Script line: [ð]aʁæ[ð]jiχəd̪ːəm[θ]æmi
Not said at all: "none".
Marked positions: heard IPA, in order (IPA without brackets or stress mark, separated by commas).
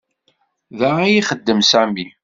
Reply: ð, none, s